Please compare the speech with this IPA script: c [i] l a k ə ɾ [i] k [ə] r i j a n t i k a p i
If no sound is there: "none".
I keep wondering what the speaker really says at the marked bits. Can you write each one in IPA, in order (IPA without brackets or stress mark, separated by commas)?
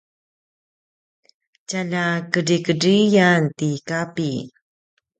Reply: a, i, ə